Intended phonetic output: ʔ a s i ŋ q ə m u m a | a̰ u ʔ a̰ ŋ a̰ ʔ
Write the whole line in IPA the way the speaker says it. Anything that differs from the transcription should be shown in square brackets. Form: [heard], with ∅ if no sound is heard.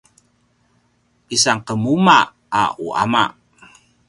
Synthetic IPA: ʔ [i] s [a] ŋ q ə m u m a | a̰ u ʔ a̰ [m] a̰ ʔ